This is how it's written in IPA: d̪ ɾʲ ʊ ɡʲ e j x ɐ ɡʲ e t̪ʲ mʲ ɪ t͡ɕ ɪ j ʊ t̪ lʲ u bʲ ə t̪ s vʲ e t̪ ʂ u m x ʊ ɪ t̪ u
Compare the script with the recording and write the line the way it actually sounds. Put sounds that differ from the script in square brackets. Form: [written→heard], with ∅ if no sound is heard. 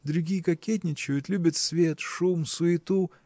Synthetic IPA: d̪ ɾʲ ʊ ɡʲ [e→i] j [x→k] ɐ [ɡʲ→kʲ] e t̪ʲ [mʲ→nʲ] ɪ t͡ɕ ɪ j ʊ t̪ lʲ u bʲ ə t̪ s vʲ e t̪ ʂ u m [x→s] ʊ ɪ t̪ u